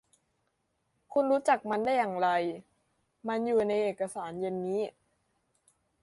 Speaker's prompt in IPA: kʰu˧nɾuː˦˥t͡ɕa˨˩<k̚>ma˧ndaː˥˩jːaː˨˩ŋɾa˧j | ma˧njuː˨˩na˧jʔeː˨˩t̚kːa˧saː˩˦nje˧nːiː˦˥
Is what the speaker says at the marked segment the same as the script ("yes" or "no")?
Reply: yes